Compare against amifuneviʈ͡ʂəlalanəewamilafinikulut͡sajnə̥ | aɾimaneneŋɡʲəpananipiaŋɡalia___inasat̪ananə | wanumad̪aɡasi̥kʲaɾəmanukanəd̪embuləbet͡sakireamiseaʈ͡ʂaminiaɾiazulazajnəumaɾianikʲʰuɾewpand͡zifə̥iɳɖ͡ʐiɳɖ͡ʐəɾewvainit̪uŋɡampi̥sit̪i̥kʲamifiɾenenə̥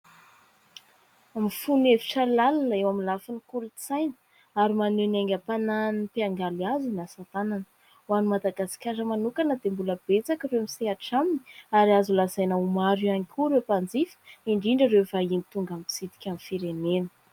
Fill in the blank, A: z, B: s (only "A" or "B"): A